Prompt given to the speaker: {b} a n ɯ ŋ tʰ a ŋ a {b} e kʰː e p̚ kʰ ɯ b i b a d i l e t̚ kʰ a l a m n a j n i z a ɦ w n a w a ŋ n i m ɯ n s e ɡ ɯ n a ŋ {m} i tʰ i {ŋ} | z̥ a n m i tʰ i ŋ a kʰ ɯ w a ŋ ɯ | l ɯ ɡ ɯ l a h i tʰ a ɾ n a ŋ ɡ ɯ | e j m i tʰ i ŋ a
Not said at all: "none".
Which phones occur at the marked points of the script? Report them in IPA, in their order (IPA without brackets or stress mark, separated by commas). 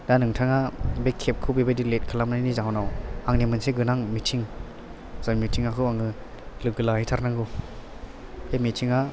d, b, m, ŋ